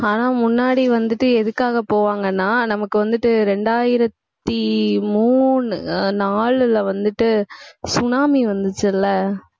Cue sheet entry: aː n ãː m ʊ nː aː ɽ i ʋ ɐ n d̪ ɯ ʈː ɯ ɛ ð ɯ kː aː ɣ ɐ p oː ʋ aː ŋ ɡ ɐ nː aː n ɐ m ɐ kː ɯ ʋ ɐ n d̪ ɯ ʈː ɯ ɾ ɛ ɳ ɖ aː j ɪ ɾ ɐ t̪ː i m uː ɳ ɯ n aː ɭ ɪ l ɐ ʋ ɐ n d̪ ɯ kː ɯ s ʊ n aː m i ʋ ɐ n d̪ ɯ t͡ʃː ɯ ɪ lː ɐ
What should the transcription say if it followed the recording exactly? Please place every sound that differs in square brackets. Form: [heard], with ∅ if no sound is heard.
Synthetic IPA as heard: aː n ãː m ʊ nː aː ɽ i ʋ ɐ n d̪ ɯ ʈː ɯ ɛ ð ɯ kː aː ɣ ɐ p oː ʋ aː ŋ ɡ ɐ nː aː n ɐ m ɐ kː ɯ ʋ ɐ n d̪ ɯ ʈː ɯ ɾ ɛ ɳ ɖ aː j ɪ ɾ ɐ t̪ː i m uː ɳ ɯ n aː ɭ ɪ l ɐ ʋ ɐ n d̪ ɯ [ʈː] ɯ s ʊ n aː m i ʋ ɐ n d̪ ɯ t͡ʃː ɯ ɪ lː ɐ